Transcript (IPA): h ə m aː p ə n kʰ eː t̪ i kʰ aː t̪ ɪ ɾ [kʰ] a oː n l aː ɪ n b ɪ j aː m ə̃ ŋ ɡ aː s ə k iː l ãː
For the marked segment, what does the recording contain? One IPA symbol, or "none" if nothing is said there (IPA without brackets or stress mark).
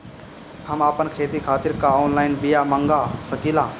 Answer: k